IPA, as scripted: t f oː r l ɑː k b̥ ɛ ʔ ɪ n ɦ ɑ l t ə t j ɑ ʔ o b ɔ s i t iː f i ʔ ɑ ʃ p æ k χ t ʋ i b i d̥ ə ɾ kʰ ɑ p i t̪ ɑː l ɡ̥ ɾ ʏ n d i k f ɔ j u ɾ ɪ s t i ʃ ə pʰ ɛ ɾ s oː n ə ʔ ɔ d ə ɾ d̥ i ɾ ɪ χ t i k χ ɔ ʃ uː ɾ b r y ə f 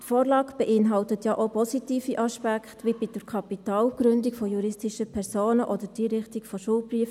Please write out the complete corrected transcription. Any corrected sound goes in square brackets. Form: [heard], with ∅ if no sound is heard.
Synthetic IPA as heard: t f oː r l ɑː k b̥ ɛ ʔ ɪ n ɦ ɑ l t ə t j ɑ ʔ o [p] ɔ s i t iː f i ʔ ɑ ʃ p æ k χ t ʋ i b i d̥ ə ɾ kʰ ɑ p i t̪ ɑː l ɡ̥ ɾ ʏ n d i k f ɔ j u ɾ ɪ s t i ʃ ə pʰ ɛ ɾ s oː n ə ʔ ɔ d ə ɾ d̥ i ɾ ɪ χ t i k [f] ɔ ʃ uː [l] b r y ə f